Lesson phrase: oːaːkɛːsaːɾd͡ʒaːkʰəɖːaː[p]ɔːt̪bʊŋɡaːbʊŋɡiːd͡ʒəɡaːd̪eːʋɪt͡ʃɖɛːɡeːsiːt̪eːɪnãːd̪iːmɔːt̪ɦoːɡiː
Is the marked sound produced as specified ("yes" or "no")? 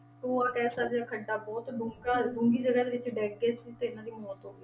no